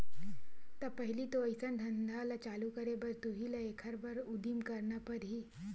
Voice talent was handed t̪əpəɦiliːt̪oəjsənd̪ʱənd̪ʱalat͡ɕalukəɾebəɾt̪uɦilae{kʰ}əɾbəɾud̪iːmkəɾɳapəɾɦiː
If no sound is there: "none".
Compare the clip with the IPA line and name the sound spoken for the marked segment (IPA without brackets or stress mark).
kʰ